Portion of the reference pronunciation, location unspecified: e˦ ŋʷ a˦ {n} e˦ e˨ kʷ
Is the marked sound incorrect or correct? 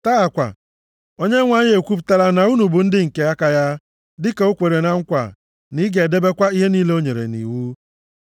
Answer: incorrect